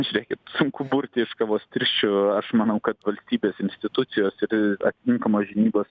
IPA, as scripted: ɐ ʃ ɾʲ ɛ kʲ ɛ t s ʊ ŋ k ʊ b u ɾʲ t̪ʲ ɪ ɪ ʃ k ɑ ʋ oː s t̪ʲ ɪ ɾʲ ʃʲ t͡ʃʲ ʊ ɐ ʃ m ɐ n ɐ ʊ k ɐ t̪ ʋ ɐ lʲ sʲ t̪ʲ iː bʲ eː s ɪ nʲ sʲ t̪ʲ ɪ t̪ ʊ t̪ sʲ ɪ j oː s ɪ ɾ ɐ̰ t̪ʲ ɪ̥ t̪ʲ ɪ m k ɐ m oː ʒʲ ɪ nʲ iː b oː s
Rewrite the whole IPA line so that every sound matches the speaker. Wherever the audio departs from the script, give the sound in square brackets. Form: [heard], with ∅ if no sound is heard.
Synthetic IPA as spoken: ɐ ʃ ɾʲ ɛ kʲ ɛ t s ʊ ŋ k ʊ b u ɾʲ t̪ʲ ɪ ɪ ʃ k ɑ ʋ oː s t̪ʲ ɪ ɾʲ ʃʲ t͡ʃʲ ʊ ɐ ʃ m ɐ n ɐ ʊ k ɐ t̪ ʋ ɐ lʲ sʲ t̪ʲ iː bʲ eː s ɪ nʲ sʲ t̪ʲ ɪ t̪ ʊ t̪ sʲ ɪ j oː s ɪ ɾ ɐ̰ t̪ʲ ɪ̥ t̪ʲ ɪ [ŋ] k ɐ m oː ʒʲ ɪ nʲ iː b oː s